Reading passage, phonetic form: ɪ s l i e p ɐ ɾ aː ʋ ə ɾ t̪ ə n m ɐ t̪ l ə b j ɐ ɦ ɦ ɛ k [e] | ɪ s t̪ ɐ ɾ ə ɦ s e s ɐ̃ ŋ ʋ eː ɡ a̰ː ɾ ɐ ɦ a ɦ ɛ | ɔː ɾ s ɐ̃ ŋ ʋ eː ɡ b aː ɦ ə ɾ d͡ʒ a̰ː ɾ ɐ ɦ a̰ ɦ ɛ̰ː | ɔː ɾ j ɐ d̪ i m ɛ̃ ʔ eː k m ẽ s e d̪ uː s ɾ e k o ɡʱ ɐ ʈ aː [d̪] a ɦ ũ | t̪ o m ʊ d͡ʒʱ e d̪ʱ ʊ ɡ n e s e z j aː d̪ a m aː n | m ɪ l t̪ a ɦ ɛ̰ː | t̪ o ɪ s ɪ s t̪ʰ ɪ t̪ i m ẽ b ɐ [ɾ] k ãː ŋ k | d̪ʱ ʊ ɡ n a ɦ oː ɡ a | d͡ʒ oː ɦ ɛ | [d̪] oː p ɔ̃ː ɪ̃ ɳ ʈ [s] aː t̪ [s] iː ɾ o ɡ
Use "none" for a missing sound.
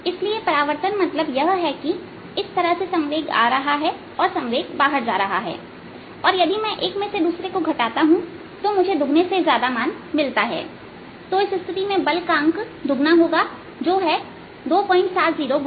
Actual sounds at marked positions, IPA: i, t̪, l, d̪, s, z

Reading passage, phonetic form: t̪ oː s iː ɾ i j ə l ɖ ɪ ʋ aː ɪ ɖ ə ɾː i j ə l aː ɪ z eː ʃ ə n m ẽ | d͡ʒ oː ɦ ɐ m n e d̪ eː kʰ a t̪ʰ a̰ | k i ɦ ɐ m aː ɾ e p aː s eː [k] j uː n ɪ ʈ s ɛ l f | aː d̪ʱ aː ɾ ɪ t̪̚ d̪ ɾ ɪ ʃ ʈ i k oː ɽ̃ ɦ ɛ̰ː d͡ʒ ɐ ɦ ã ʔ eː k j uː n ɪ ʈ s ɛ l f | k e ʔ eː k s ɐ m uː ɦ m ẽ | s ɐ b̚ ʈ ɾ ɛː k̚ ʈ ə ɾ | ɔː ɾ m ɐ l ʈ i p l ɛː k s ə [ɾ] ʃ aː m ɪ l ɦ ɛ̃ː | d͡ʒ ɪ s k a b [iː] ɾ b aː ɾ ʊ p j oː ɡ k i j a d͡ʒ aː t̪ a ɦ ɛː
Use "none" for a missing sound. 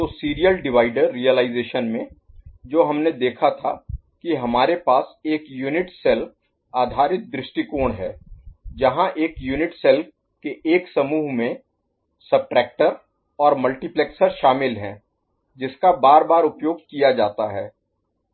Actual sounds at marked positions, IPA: k, ɾ, aː

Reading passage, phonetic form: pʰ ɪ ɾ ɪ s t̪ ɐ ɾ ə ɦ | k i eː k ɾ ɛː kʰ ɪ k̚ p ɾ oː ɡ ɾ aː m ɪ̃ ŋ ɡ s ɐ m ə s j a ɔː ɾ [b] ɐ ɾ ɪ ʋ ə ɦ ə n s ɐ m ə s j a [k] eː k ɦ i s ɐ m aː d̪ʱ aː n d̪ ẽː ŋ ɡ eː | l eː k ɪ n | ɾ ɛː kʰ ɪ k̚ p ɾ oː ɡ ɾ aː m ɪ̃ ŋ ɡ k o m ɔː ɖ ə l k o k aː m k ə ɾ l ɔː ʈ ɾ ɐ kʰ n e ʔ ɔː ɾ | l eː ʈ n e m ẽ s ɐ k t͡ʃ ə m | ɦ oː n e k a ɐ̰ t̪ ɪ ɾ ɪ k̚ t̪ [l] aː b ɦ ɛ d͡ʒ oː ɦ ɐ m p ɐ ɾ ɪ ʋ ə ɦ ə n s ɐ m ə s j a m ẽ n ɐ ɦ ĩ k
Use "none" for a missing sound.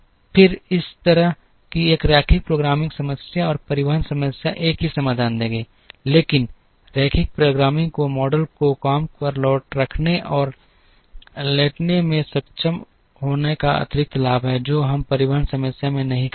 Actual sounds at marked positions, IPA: p, ʔ, l

